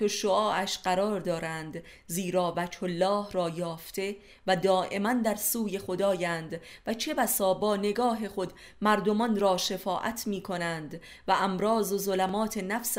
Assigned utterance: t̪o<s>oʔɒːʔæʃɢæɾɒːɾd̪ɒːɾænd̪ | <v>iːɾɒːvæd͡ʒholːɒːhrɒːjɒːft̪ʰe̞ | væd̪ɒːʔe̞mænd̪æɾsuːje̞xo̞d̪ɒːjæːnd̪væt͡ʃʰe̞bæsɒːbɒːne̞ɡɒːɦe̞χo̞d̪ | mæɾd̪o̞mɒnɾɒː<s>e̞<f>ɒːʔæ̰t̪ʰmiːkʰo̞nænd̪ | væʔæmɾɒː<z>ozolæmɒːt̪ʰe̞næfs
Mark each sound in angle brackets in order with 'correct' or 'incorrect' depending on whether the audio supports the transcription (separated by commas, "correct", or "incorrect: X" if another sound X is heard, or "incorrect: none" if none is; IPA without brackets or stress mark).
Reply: incorrect: ʃ, incorrect: z, incorrect: ʃ, correct, correct